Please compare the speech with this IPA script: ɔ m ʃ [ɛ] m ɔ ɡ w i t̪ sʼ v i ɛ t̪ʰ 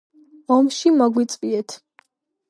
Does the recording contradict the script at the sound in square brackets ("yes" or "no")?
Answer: yes